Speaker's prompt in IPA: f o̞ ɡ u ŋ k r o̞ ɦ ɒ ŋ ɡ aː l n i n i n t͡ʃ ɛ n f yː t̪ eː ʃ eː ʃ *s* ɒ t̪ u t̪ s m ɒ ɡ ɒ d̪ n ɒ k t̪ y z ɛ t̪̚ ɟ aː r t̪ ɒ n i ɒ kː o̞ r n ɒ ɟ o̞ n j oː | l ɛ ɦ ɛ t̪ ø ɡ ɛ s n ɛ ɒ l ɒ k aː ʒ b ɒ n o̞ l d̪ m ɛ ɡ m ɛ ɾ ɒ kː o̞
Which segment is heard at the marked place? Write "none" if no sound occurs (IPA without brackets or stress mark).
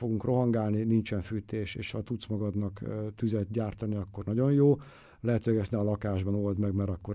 h